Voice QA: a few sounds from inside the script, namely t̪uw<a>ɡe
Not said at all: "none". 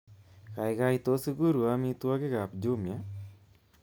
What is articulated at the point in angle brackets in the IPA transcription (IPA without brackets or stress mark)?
a